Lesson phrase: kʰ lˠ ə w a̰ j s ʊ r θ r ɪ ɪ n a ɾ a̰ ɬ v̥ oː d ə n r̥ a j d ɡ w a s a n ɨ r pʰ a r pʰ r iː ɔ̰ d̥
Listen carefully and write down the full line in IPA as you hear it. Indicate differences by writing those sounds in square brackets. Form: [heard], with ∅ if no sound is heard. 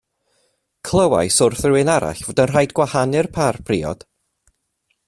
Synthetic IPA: kʰ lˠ ə w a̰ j s ʊ r θ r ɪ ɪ n a ɾ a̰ ɬ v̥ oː d ə n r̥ a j d ɡ w a [h] a n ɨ r pʰ a r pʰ r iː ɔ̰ d̥